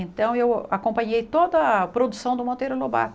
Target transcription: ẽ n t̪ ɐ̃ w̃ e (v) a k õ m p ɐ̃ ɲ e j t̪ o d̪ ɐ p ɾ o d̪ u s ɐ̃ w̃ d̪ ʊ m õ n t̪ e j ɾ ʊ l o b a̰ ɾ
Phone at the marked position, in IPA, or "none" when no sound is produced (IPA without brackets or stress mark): w